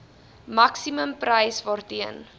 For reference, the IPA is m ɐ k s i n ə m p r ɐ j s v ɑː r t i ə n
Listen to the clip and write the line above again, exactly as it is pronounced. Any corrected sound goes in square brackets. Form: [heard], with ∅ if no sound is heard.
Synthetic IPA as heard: m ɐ k s i [m] ə m p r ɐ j s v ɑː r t i ə n